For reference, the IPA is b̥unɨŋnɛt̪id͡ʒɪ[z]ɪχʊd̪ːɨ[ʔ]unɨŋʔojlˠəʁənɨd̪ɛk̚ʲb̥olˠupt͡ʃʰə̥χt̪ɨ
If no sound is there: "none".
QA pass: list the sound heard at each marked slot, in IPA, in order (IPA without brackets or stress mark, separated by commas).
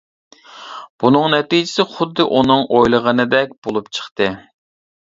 s, ʔ